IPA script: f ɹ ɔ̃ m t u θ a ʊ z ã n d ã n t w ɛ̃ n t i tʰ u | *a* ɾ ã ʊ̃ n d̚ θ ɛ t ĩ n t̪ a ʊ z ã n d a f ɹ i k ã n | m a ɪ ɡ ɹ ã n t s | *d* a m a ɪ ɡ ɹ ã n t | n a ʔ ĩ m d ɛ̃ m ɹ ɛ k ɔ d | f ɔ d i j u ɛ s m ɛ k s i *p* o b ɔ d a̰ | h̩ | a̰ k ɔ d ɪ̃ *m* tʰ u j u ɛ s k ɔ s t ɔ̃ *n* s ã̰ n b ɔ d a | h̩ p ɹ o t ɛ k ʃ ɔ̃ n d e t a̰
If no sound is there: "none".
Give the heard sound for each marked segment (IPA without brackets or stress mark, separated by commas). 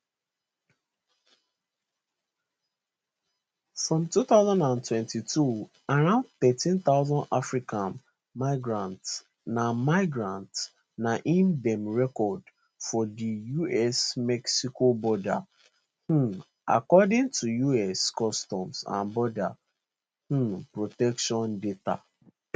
a, n, k, ŋ, m